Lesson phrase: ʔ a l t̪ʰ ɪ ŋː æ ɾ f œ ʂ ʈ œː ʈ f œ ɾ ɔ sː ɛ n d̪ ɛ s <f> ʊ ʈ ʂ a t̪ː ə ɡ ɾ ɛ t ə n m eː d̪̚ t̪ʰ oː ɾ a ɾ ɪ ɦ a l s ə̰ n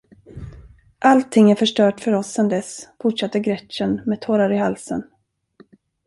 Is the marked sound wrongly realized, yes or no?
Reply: no